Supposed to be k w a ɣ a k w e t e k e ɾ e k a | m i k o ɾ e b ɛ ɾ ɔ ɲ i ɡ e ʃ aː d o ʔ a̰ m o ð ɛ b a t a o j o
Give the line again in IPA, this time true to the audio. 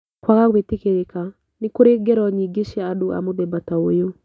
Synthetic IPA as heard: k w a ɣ a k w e t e k e ɾ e k a | n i k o ɾ e ɡ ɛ ɾ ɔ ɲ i ɡ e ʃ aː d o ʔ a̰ m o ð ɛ b a t a o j o